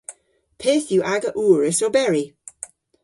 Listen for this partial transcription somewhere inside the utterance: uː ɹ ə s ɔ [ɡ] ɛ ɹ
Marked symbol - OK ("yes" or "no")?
no